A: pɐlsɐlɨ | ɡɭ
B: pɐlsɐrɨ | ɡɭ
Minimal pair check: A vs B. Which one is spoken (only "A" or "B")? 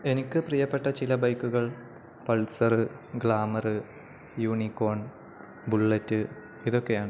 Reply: B